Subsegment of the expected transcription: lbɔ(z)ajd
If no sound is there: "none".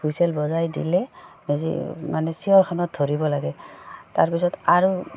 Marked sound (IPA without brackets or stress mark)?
z